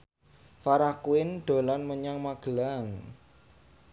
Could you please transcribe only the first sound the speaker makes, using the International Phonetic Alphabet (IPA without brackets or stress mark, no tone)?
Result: f